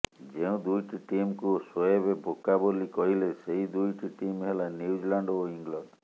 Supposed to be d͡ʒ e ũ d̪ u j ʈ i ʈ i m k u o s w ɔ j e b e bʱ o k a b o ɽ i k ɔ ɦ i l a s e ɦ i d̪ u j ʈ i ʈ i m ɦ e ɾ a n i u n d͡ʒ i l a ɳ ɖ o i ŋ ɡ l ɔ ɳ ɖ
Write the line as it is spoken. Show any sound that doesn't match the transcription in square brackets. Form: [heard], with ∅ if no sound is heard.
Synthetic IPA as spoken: d͡ʒ e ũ d̪ u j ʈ i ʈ i m k u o s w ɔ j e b e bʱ o k a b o [l] i k ɔ ɦ i l [e] s e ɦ i d̪ u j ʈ i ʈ i m ɦ e [l] a n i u [∅] d͡ʒ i l a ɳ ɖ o i ŋ ɡ l ɔ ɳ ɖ